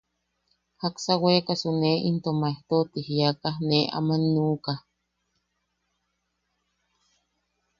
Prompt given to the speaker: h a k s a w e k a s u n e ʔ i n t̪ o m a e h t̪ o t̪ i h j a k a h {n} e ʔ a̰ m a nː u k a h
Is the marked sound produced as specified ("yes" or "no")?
yes